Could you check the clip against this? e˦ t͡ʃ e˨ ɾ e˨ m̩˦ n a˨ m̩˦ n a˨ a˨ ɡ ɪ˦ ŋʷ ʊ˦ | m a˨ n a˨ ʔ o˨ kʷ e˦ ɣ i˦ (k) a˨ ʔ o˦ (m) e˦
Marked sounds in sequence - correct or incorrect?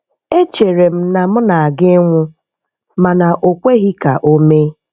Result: correct, correct

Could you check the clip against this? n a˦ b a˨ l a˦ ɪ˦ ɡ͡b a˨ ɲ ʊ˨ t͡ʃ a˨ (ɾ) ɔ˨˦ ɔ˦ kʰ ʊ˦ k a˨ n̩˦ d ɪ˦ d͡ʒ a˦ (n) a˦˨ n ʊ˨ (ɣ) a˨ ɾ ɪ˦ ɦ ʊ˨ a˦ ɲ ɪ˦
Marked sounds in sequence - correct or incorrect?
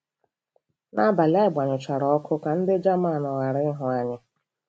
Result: correct, incorrect: m, correct

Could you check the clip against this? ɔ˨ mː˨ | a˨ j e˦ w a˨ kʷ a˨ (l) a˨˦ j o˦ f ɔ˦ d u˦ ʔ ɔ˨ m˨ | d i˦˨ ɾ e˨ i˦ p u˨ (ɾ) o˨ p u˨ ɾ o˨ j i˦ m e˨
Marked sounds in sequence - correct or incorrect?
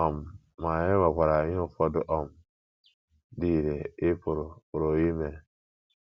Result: incorrect: ɾ, correct

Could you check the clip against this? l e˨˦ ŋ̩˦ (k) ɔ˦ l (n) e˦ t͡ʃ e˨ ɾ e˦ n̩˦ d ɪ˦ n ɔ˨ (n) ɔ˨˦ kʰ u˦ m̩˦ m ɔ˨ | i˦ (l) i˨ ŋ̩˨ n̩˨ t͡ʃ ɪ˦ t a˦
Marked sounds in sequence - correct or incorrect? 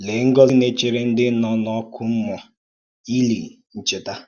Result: incorrect: ɡ, correct, correct, correct

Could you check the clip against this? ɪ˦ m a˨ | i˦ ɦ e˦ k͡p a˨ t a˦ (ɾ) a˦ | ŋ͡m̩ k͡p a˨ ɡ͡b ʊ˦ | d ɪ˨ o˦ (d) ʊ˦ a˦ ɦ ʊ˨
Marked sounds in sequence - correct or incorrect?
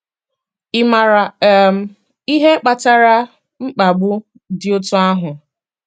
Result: correct, incorrect: t

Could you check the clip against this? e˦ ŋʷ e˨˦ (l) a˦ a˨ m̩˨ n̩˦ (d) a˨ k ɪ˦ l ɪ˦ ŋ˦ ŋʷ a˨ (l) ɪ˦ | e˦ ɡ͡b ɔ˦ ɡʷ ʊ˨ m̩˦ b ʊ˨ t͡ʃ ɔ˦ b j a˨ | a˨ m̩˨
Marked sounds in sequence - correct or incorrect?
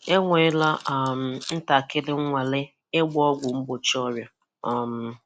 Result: correct, incorrect: t, correct

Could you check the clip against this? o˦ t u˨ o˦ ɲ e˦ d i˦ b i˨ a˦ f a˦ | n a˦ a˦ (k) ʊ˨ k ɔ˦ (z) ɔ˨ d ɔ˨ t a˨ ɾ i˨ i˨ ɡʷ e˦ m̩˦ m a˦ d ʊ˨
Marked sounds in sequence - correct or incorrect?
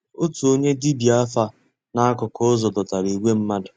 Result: correct, correct

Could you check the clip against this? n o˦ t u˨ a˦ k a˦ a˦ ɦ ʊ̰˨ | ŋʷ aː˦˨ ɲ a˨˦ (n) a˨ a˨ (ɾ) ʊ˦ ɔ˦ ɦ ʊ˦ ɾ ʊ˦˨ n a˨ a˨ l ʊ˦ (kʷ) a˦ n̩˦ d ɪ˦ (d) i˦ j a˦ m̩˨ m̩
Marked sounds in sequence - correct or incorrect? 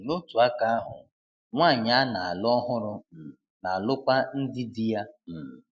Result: correct, incorrect: l, correct, correct

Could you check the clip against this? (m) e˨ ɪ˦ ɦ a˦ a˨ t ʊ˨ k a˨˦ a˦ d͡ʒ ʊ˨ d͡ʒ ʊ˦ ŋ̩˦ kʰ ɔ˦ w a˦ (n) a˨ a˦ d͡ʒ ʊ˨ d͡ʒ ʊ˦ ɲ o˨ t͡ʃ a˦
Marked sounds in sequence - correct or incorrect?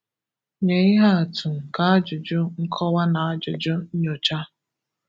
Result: incorrect: ɲ, correct

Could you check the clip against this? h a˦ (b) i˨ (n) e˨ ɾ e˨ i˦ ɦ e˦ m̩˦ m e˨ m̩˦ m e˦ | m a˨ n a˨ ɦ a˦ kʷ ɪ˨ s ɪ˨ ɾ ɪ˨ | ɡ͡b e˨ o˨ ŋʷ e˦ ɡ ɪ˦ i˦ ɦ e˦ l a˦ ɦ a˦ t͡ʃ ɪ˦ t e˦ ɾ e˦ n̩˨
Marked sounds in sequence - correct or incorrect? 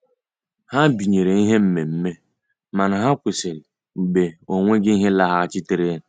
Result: correct, incorrect: ɲ

